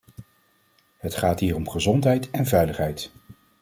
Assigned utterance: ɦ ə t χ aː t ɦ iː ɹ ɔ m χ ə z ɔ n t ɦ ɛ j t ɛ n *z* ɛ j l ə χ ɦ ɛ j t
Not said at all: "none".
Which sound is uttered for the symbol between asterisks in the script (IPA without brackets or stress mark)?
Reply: v